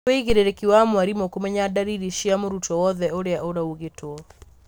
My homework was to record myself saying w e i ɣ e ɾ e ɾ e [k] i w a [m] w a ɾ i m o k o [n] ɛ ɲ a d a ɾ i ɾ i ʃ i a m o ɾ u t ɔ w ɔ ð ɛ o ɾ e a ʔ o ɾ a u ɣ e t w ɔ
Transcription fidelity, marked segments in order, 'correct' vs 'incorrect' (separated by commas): correct, correct, incorrect